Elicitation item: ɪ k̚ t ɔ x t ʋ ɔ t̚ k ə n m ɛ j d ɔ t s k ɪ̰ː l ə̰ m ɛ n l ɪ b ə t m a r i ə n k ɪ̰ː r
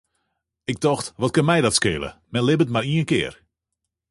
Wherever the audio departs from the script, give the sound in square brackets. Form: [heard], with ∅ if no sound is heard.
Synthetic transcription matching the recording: ɪ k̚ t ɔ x t ʋ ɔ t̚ k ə n m ɛ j d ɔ t s k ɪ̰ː l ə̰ m ɛ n l ɪ b ə t m a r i ə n k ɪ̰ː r